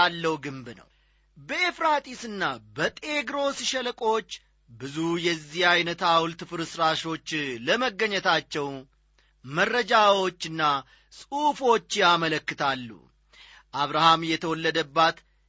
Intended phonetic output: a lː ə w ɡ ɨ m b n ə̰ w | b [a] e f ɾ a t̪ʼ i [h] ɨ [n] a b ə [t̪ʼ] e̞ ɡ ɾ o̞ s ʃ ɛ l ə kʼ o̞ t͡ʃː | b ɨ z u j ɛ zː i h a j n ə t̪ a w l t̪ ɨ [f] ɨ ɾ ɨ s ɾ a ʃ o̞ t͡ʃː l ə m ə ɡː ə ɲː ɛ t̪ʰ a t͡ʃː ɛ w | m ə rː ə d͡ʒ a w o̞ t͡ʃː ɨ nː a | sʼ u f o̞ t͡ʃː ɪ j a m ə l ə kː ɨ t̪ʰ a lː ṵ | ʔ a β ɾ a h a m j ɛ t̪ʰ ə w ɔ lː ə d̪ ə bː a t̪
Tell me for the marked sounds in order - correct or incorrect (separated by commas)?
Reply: incorrect, incorrect, incorrect, correct, correct